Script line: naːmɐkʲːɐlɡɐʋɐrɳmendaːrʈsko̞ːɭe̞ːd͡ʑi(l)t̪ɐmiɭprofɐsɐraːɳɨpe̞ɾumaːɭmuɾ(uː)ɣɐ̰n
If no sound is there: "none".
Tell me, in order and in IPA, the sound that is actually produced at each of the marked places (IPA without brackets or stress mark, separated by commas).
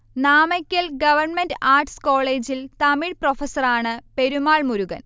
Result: l, u